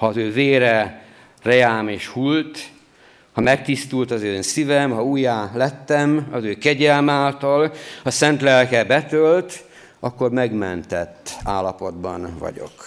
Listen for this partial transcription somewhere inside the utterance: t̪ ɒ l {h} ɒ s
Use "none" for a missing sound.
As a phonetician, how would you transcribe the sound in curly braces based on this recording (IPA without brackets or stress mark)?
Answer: h